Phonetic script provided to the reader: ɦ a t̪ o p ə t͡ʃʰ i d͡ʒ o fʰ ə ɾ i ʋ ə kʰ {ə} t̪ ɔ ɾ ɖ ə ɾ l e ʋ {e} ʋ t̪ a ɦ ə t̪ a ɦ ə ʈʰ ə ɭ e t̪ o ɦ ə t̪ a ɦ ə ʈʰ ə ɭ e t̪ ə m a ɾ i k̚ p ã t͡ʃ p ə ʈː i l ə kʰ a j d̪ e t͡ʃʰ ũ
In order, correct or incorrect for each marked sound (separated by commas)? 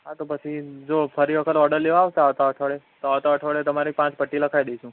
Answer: correct, incorrect